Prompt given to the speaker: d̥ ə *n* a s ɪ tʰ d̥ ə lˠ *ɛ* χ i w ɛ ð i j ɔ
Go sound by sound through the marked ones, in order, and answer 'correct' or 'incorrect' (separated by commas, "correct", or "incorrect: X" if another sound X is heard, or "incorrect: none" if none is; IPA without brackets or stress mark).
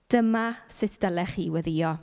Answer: incorrect: m, correct